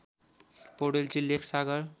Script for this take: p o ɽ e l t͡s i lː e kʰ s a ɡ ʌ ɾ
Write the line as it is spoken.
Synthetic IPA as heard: p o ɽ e l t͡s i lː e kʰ s a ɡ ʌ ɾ